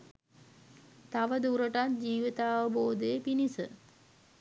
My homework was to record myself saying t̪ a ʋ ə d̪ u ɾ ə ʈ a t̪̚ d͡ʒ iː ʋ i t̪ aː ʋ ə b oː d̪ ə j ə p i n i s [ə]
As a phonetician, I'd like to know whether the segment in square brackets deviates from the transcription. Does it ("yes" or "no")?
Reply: no